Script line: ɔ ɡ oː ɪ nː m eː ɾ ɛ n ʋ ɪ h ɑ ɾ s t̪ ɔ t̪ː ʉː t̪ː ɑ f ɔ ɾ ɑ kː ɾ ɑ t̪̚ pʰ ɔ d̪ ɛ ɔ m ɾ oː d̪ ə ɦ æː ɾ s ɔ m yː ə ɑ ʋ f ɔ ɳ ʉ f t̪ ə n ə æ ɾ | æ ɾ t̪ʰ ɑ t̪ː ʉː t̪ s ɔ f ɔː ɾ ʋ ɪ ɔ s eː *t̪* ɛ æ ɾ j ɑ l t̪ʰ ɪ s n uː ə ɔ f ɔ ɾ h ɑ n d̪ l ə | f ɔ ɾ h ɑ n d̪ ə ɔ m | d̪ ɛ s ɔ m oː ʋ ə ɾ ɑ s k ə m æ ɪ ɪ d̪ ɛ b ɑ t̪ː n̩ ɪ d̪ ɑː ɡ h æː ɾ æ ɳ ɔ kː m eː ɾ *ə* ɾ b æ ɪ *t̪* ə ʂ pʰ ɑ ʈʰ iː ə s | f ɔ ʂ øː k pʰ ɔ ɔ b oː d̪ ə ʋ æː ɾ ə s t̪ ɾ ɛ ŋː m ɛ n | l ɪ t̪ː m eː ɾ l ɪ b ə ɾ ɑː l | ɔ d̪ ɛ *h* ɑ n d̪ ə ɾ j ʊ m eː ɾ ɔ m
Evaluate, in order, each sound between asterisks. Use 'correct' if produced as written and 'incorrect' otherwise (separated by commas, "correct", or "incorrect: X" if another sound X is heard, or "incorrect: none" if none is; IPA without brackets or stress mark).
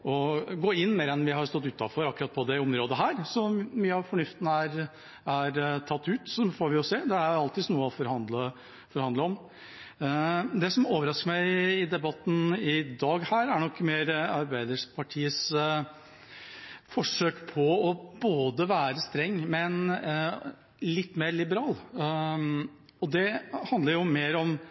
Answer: incorrect: d̪, incorrect: ɑ, incorrect: d̪, correct